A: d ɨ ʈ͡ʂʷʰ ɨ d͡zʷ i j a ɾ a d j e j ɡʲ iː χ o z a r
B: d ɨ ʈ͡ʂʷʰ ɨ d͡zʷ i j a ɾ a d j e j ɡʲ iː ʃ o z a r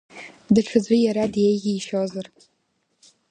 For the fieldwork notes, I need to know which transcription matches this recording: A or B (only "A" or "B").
B